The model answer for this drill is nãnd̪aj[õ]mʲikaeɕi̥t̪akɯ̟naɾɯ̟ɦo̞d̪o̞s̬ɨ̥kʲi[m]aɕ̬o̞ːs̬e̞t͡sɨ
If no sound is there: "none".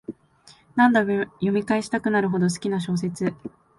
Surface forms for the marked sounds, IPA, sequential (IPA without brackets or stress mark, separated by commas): o, n